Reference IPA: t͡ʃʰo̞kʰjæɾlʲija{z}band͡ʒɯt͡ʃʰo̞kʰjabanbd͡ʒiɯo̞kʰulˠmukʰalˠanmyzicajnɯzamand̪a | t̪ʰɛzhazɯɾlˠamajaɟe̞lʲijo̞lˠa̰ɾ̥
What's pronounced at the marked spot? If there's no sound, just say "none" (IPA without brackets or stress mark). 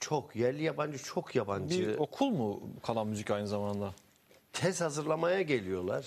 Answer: none